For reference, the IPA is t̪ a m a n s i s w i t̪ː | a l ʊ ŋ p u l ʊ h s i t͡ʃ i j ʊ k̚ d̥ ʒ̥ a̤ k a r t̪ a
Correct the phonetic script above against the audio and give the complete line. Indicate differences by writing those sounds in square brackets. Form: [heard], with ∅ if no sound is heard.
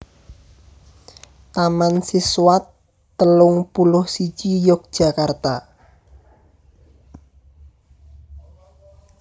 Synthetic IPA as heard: t̪ a m a n s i s w [a] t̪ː | [ə] l ʊ ŋ p u l ʊ h s i t͡ʃ i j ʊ k̚ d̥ ʒ̥ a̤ k a r t̪ a